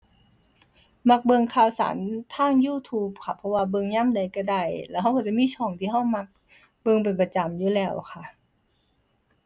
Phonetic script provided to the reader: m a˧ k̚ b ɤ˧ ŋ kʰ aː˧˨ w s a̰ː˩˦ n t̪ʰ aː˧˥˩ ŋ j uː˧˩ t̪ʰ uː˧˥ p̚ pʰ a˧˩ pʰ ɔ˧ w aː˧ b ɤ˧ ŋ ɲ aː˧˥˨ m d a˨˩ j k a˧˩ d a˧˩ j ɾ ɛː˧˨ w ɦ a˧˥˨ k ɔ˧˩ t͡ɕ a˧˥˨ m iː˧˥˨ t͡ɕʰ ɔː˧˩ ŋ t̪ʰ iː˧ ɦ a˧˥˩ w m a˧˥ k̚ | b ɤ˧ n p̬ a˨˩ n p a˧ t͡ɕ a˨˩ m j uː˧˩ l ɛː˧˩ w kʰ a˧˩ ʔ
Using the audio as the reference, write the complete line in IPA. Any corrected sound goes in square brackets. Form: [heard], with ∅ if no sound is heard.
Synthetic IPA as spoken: m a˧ k̚ b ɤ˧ ŋ kʰ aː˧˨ w s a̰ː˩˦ n t̪ʰ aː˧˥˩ ŋ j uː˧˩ t̪ʰ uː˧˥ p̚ [kʰ] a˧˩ pʰ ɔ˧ w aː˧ b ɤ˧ ŋ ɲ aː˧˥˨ m d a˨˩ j k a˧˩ d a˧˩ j [l] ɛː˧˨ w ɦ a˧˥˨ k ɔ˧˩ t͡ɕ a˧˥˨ m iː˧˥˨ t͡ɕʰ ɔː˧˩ ŋ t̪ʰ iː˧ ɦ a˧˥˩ w m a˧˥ k̚ | b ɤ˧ [ŋ] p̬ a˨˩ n p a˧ t͡ɕ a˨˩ m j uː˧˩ l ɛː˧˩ w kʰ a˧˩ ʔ